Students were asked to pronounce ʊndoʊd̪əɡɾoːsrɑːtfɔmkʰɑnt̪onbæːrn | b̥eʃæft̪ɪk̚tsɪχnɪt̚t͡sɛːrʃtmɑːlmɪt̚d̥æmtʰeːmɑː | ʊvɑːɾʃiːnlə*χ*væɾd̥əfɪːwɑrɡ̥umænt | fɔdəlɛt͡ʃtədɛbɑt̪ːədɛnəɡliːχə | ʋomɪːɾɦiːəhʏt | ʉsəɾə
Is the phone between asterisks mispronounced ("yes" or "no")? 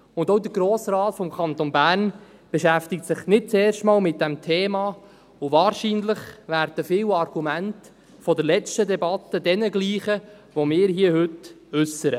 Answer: no